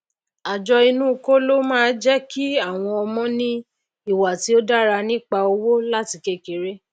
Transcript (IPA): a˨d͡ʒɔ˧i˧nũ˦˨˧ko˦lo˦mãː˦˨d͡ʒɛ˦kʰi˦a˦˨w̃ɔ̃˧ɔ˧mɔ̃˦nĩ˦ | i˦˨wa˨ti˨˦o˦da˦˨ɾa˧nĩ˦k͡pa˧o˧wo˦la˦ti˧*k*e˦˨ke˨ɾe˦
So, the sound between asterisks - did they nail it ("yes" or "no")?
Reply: yes